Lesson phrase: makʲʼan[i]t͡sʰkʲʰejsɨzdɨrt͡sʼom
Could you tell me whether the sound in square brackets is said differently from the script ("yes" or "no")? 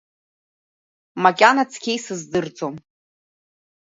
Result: yes